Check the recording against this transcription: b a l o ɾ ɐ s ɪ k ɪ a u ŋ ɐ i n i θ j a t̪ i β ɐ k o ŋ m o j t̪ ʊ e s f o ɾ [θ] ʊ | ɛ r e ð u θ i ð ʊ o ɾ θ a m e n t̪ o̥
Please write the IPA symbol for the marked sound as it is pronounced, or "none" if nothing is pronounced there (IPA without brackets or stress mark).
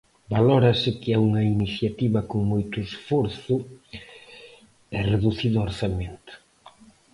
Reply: θ